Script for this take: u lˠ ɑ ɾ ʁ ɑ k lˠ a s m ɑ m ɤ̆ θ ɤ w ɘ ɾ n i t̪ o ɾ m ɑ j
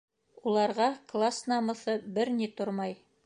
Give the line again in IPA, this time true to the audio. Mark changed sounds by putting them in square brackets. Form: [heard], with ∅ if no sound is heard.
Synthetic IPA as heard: u lˠ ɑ ɾ ʁ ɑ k lˠ a s [n] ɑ m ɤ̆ θ ɤ [b] ɘ ɾ n i t̪ o ɾ m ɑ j